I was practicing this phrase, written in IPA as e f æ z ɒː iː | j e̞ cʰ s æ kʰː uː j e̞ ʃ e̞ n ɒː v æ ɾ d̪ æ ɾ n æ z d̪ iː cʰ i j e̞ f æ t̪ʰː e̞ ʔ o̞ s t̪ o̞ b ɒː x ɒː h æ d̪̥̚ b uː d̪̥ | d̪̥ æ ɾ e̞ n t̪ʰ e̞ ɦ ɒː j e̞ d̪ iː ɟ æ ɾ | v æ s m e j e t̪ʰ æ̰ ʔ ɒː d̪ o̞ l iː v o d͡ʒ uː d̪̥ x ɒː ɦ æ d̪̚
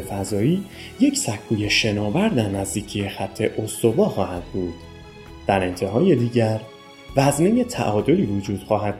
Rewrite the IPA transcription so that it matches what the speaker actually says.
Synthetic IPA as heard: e f æ z ɒː iː | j e̞ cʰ s æ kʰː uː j e̞ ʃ e̞ n ɒː v æ ɾ d̪ æ ɾ n æ z d̪ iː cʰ i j e̞ x æ t̪ʰː e̞ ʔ o̞ s t̪ o̞ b ɒː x ɒː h æ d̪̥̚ b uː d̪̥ | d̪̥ æ ɾ e̞ n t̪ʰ e̞ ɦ ɒː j e̞ d̪ iː ɟ æ ɾ | v æ z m e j e t̪ʰ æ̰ ʔ ɒː d̪ o̞ l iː v o d͡ʒ uː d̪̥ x ɒː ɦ æ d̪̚